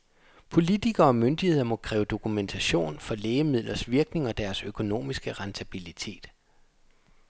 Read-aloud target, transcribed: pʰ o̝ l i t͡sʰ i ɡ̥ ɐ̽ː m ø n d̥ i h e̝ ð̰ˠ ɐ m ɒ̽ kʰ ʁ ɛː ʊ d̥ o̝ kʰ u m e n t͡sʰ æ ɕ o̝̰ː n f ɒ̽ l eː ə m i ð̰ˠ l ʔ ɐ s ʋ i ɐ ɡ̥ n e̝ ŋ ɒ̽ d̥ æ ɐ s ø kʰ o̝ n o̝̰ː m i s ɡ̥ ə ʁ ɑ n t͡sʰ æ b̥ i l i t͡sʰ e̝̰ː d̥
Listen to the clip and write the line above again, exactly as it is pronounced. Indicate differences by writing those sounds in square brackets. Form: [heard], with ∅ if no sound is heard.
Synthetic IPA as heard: pʰ o̝ l i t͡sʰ i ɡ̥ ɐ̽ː m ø n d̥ i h e̝ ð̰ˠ ɐ m ɒ̽ kʰ ʁ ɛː ʊ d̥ o̝ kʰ u m e n t͡sʰ æ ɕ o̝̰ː n f ɒ̽ l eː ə m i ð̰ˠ l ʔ ɐ s ʋ i ɐ ɡ̥ n e̝ ŋ ɒ̽ d̥ æ ɐ s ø kʰ o̝ n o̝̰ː m i s ɡ̥ ə ʁ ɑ n t͡sʰ æ b̥ i l i t͡sʰ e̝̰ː d̥

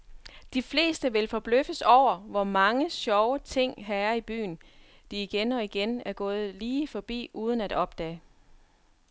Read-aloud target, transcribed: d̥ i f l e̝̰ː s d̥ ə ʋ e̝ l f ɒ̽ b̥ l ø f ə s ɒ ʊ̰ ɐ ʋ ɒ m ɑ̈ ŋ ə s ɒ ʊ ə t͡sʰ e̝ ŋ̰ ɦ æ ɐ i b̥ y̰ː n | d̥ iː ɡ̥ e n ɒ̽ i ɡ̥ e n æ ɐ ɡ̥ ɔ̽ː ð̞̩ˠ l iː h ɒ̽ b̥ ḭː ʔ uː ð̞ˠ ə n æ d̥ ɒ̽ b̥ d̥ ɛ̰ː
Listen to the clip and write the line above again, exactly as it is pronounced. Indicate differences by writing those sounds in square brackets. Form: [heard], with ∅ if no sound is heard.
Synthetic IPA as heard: d̥ i f l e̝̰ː s d̥ ə ʋ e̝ l f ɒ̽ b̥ l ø f ə s ɒ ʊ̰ ɐ ʋ ɒ m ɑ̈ ŋ ə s ɒ ʊ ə t͡sʰ e̝ ŋ̰ ɦ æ ɐ i b̥ y̰ː n | d̥ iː ɡ̥ e n ɒ̽ i ɡ̥ e n æ ɐ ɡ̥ ɔ̽ː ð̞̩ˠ l iː [f] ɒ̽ b̥ ḭː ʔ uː ð̞ˠ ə n æ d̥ ɒ̽ b̥ d̥ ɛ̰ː

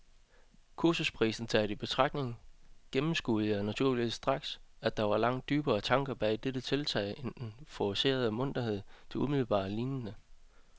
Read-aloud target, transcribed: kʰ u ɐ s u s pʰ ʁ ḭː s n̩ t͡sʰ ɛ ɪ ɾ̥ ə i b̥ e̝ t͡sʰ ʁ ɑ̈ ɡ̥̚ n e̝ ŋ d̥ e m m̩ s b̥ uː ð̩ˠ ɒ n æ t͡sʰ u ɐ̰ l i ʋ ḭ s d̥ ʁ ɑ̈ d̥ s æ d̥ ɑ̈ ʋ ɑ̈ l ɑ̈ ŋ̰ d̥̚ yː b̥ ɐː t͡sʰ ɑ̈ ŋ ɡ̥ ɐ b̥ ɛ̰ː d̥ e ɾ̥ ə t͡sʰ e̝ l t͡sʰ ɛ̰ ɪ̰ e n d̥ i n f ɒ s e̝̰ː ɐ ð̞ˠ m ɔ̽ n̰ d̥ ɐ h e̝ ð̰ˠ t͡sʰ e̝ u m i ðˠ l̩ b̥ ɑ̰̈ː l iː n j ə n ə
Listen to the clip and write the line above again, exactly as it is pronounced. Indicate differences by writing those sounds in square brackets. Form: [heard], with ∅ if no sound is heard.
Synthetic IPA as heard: kʰ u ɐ s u s pʰ ʁ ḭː s n̩ t͡sʰ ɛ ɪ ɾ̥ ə i b̥ e̝ t͡sʰ ʁ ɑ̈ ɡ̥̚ n e̝ ŋ [ɡ̥] e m m̩ s [ɡ̥] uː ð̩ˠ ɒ n æ t͡sʰ u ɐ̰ l i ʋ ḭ s d̥ ʁ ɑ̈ [ɡ̥] s æ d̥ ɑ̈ ʋ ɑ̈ l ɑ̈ ŋ̰ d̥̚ yː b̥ ɐː t͡sʰ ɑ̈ ŋ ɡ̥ ɐ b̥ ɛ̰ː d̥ e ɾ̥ ə t͡sʰ e̝ l t͡sʰ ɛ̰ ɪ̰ e n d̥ [e] n f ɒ s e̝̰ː ɐ ð̞ˠ m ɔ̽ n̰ d̥ ɐ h e̝ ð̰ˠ t͡sʰ e̝ u m i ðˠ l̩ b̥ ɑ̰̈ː l iː n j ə n ə

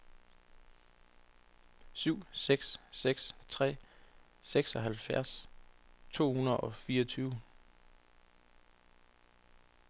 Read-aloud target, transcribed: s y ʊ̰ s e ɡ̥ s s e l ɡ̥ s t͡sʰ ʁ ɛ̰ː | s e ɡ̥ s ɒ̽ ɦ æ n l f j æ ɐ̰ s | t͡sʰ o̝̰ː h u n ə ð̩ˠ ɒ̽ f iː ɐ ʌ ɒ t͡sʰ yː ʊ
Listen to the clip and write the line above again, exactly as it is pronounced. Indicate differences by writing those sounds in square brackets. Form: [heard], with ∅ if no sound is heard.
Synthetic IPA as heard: s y ʊ̰ s e ɡ̥ s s e [∅] ɡ̥ s t͡sʰ ʁ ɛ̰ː | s e ɡ̥ s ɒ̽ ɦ æ [∅] l f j æ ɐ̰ s | t͡sʰ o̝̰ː h u n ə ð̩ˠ ɒ̽ f iː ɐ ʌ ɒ t͡sʰ yː ʊ

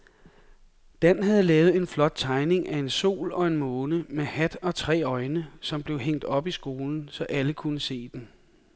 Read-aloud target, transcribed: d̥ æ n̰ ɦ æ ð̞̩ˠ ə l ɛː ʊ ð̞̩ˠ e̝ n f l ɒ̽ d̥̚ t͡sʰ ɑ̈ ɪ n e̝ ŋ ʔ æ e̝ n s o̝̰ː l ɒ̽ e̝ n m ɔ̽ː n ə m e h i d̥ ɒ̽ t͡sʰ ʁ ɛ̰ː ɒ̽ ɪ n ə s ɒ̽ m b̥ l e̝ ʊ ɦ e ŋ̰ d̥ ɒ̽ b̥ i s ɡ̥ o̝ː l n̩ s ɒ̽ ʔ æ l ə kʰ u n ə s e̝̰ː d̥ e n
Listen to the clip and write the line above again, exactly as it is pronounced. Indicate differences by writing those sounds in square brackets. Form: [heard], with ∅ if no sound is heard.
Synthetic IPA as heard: d̥ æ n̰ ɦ æ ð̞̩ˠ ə l ɛː ʊ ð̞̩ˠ e̝ n f l ɒ̽ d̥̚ t͡sʰ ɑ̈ ɪ n e̝ ŋ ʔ æ e̝ n s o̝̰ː l ɒ̽ e̝ n m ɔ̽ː n ə m e h [æ] d̥ ɒ̽ t͡sʰ ʁ ɛ̰ː ɒ̽ ɪ n ə s ɒ̽ m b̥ l e̝ ʊ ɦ e ŋ̰ d̥ ɒ̽ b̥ i s ɡ̥ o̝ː l n̩ s ɒ̽ ʔ æ l ə kʰ u n ə s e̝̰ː d̥ e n

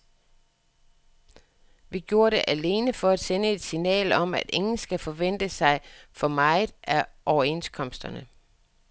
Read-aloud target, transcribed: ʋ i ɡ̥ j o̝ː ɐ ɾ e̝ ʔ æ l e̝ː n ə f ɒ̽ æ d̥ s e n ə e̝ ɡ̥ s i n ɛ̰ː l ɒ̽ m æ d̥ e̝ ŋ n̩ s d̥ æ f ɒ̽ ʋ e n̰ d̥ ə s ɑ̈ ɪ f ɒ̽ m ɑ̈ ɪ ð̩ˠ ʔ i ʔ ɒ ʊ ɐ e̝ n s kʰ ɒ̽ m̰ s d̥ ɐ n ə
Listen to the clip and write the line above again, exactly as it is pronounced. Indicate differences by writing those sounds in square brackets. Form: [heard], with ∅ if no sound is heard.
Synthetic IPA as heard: ʋ i ɡ̥ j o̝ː ɐ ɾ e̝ ʔ æ l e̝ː n ə f ɒ̽ æ d̥ s e n ə e̝ [d̥] s i n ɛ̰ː l ɒ̽ m æ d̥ e̝ ŋ n̩ s [ɡ̥] æ f ɒ̽ ʋ e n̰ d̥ ə s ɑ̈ ɪ f ɒ̽ m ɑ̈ ɪ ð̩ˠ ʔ [æ] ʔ ɒ ʊ ɐ e̝ n s kʰ ɒ̽ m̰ s d̥ ɐ n ə

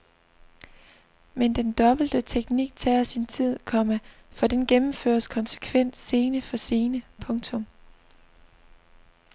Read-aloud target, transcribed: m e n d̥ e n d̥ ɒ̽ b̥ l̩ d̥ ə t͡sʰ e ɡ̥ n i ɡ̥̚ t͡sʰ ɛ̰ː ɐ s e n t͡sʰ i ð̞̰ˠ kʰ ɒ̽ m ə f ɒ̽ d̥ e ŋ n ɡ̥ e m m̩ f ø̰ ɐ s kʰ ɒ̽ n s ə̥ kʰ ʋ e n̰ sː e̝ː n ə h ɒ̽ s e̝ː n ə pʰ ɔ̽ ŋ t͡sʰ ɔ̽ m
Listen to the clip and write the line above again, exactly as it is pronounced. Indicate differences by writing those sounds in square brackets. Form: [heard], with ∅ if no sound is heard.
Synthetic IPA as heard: m e n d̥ e n d̥ ɒ̽ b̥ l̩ d̥ ə t͡sʰ e ɡ̥ n i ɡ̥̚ t͡sʰ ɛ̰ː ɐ s [i] n t͡sʰ i ð̞̰ˠ kʰ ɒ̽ m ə f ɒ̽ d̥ e [∅] n ɡ̥ e m m̩ f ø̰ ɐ s kʰ ɒ̽ n s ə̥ kʰ ʋ e n̰ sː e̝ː n ə [f] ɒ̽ s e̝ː n ə pʰ ɔ̽ ŋ t͡sʰ ɔ̽ m

